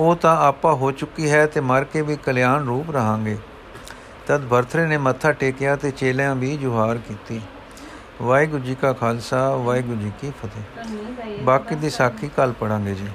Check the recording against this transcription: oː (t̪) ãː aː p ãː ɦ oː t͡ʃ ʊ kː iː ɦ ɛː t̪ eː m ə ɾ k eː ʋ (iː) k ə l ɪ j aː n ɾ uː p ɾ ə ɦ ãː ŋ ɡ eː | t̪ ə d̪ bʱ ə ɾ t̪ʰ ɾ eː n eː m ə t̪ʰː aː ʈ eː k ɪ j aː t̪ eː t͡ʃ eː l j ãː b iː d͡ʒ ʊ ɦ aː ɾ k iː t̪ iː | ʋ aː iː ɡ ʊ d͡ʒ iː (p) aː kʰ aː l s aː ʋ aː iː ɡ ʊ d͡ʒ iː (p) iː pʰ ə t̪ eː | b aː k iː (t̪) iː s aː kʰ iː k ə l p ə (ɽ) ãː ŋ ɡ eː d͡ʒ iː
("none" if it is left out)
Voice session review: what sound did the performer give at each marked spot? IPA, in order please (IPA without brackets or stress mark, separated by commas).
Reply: t̪, iː, k, k, d̪, ɽ